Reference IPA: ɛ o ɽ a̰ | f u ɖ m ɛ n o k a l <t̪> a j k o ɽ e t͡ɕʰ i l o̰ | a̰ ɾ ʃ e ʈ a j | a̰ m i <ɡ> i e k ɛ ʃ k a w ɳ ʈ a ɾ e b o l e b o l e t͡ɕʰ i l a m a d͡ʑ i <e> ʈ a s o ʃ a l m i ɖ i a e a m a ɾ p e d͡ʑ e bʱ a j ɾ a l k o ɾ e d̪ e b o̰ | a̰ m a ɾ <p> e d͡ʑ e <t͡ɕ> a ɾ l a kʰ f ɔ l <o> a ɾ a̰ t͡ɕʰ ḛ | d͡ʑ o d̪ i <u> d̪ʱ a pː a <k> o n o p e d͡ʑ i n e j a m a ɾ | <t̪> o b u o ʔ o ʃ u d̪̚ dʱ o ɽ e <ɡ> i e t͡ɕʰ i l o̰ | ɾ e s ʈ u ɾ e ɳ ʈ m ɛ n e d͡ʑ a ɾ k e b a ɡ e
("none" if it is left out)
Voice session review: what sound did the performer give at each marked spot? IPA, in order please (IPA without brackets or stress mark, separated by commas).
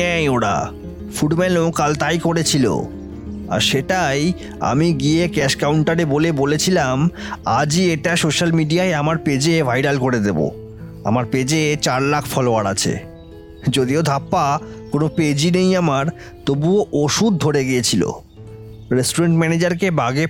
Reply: t̪, ɡ, e, p, t͡ɕ, o, o, k, t̪, ɡ